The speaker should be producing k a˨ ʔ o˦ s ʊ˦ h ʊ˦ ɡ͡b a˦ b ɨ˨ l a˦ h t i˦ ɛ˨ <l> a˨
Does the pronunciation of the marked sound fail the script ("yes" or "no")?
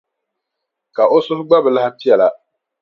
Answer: no